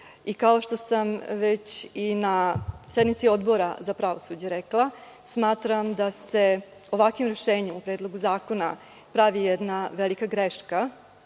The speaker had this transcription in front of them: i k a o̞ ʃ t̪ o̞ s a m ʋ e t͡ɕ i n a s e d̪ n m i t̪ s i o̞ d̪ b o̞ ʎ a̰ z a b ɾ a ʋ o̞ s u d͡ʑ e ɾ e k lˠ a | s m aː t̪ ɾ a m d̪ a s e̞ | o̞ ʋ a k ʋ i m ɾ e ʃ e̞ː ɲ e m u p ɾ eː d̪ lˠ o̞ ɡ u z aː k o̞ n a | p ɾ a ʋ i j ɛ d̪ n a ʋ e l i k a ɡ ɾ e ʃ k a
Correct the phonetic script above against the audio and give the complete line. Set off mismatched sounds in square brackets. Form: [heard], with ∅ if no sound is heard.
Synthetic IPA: i k a o̞ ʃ t̪ o̞ s a m ʋ e t͡ɕ i n a s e d̪ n m i t̪ s i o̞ d̪ b o̞ [ɾ] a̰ z a [p] ɾ a ʋ o̞ s u d͡ʑ e ɾ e k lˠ a | s m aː t̪ ɾ a m d̪ a s e̞ | o̞ ʋ a k ʋ i m ɾ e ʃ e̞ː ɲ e m u p ɾ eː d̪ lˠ o̞ ɡ u z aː k o̞ n a | p ɾ a ʋ i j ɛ d̪ n a ʋ e l i k a ɡ ɾ e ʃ k a